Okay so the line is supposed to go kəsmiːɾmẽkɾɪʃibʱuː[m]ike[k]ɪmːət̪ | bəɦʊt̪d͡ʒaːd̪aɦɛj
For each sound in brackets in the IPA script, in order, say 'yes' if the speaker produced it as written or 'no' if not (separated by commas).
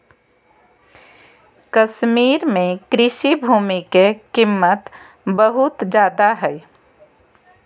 yes, yes